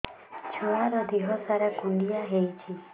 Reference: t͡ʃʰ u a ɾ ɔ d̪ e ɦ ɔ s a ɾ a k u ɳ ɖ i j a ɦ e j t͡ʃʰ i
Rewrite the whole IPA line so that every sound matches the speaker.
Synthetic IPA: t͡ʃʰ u a ɾ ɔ d̪ i ɦ ɔ s a ɾ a k u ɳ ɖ i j a ɦ e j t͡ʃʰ i